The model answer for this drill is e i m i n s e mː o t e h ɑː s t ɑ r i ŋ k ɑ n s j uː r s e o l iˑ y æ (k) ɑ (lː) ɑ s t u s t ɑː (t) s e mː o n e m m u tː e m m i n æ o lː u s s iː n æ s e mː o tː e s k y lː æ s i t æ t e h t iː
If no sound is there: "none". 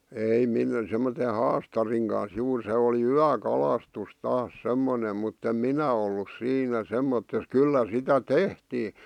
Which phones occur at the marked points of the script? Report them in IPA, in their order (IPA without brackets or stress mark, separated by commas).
k, l, s